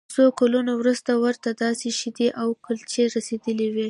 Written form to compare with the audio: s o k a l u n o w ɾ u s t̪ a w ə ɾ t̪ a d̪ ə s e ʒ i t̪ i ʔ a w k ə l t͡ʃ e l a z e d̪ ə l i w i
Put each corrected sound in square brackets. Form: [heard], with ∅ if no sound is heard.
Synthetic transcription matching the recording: s o k a l u n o w ɾ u s t̪ a w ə ɾ t̪ a d̪ [ɑ] s e [ʃ] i [d̪] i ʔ a w k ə l t͡ʃ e [ɾ] a [s] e d̪ ə l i w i